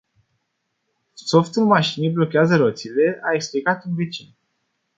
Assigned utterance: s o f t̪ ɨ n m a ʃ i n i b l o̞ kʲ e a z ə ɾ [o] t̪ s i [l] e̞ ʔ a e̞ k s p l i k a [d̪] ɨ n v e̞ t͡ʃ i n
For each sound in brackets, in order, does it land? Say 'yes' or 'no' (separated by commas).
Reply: yes, yes, no